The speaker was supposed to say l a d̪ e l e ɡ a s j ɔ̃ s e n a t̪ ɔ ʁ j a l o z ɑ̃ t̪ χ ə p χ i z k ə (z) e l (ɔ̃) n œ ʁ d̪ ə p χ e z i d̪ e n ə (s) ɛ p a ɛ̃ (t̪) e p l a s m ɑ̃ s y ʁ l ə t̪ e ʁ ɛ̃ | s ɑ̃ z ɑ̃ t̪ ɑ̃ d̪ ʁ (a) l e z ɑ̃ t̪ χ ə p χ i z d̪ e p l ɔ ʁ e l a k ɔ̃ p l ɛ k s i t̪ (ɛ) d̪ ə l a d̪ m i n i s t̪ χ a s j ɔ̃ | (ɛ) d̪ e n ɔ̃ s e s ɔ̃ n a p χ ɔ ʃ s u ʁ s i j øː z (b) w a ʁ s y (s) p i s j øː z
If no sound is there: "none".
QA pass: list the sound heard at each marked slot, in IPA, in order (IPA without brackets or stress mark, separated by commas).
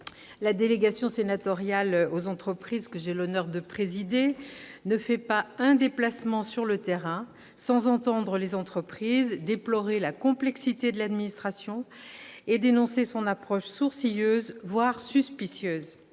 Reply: ʒ, ɔ, f, d̪, ə, e, e, v, s